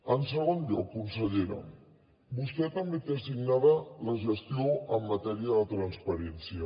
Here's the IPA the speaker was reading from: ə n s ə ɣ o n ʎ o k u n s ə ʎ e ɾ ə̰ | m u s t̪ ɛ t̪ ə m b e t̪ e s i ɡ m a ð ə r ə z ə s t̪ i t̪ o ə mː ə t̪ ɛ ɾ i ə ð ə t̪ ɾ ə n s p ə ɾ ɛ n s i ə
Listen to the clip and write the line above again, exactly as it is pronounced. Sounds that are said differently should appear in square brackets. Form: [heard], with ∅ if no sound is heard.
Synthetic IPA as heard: ə n s ə ɣ o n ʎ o k u n s ə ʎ e ɾ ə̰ | [b] u s t̪ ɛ t̪ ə m b e t̪ e s i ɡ [n] a ð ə [l] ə [ʒ] ə s t̪ i [∅] o ə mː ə t̪ ɛ ɾ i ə ð ə t̪ ɾ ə n s p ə ɾ ɛ n s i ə

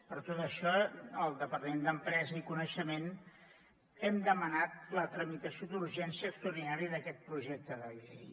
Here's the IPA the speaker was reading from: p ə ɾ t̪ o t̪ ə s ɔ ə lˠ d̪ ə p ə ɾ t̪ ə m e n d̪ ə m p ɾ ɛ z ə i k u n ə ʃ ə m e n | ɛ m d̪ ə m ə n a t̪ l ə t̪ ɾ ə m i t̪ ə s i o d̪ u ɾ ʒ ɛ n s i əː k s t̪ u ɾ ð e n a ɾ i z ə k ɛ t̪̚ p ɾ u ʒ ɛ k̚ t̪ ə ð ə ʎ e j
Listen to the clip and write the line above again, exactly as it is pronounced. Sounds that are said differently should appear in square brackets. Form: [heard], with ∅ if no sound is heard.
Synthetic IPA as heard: p ə ɾ t̪ o t̪ ə [ʃ] ɔ ə lˠ d̪ ə p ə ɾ t̪ ə m e n d̪ ə m p ɾ ɛ z ə i k u n ə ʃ ə m e n | ɛ m d̪ ə m ə n a t̪ l ə t̪ ɾ ə m i t̪ ə s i o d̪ u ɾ ʒ ɛ n s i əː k s t̪ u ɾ ð [i] n a ɾ i [ð] ə k ɛ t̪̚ p ɾ u ʒ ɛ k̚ t̪ ə ð ə ʎ e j

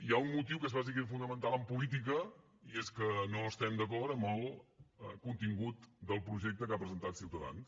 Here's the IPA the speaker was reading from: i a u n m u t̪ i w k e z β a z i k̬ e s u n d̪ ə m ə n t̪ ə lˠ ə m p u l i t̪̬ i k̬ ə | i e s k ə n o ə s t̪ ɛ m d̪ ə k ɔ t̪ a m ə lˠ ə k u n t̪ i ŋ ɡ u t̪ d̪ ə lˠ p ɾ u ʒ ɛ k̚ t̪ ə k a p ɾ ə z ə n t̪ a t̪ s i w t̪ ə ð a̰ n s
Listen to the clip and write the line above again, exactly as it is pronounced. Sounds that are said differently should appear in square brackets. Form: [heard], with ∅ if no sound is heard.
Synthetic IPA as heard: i a u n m u t̪ i w k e z β a z i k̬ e [f] u n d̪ ə m ə n t̪ [a] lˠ ə m p u l i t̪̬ i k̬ ə | i e s k ə n o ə s t̪ ɛ m d̪ ə k ɔ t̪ [ə] m ə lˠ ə k u n t̪ i ŋ ɡ u t̪ d̪ ə lˠ p ɾ u ʒ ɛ k̚ t̪ ə k a p ɾ ə z ə n t̪ a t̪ s i w t̪ ə ð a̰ n s

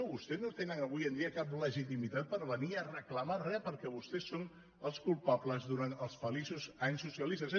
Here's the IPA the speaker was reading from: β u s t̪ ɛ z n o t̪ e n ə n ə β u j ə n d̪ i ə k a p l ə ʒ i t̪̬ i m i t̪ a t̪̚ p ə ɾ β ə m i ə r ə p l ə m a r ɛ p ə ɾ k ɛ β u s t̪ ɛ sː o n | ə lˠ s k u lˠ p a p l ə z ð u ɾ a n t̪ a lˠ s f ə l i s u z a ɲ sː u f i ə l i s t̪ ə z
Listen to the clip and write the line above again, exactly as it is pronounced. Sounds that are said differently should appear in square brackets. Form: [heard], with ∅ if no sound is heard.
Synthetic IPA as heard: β u s t̪ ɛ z n o t̪ e n ə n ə β u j ə n d̪ i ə k a p l ə ʒ i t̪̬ i m i t̪ a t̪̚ p ə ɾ β ə [n] i ə r ə [k] l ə m a r ɛ p ə ɾ k ɛ β u s t̪ ɛ sː o n | ə lˠ s k u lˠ p a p l ə z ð u ɾ a n t̪ [ə] lˠ s f ə l i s u z a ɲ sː u [s] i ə l i s t̪ ə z

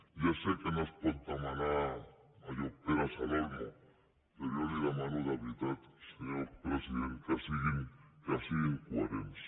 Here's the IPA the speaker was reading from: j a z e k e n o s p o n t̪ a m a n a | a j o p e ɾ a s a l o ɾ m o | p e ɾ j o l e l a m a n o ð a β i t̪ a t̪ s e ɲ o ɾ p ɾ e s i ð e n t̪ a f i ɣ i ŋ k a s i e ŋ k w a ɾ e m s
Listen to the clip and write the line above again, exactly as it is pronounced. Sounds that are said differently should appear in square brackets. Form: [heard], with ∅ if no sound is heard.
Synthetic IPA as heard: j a [s] e k e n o s p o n t̪ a m a n a | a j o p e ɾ a s a l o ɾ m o | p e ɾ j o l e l a m a n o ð a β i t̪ a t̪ s e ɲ o ɾ p ɾ e s i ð e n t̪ a [s] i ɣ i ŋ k a s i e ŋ k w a ɾ e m s

